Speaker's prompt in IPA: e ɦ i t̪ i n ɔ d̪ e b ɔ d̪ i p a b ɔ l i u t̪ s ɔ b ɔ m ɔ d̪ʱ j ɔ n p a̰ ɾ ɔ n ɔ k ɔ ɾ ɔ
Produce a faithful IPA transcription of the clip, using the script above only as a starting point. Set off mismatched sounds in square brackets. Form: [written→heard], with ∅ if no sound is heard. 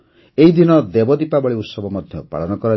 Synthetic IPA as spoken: e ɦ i [t̪→d̪] i n ɔ d̪ e b ɔ d̪ i p a b ɔ [l→ɭ] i u t̪ s ɔ b ɔ m ɔ d̪ʱ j ɔ [n→∅] p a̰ [ɾ→ɭ] ɔ n ɔ k ɔ ɾ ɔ